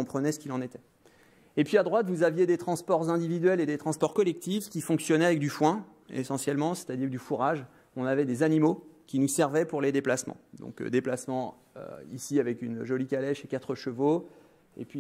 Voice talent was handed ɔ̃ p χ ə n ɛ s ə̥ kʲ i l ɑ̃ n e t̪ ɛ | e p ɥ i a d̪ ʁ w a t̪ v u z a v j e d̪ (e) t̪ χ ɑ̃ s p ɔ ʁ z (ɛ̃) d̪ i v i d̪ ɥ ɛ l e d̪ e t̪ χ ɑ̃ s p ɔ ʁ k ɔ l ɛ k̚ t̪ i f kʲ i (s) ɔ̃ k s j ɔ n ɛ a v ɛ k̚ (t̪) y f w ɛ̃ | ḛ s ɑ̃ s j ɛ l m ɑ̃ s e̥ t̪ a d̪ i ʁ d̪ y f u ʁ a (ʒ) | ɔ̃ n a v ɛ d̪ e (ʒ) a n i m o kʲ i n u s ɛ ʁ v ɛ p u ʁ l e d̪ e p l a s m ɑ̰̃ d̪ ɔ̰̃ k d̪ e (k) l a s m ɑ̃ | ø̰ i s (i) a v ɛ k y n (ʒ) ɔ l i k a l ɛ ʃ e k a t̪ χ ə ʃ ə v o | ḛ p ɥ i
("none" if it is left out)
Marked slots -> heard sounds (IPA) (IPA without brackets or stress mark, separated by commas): e, ɛ̃, f, d̪, ʒ, z, p, i, ʒ